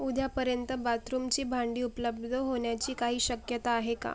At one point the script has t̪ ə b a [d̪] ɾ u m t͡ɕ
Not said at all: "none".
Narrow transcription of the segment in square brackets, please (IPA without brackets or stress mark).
t̪